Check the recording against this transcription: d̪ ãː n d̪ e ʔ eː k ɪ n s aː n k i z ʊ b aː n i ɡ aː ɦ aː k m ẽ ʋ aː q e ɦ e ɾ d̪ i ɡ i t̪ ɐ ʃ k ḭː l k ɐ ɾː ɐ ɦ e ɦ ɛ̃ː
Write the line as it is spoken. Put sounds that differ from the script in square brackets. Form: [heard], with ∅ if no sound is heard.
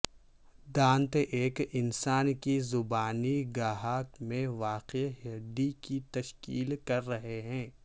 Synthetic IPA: d̪ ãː n [t̪] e ʔ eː k ɪ n s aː n k i z ʊ b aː n i ɡ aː ɦ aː k m ẽ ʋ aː q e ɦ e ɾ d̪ i [k] i t̪ ɐ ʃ k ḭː l k ɐ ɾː ɐ ɦ e ɦ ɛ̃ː